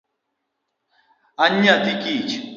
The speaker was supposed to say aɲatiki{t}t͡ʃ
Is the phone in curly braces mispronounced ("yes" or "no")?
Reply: yes